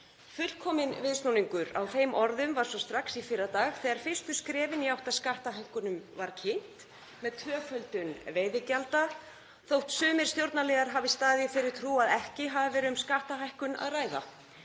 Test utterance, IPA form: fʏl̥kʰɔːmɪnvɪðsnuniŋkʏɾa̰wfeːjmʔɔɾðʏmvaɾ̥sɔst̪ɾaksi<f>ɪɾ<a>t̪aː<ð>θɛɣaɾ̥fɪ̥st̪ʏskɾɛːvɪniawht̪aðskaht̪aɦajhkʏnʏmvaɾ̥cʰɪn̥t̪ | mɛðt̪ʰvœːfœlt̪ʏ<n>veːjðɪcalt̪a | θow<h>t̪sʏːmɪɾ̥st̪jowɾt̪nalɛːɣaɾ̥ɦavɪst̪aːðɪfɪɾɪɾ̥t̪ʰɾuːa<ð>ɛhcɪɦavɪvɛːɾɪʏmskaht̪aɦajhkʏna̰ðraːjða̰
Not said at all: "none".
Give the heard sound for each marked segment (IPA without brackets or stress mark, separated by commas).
f, a, ɣ, n, h, ð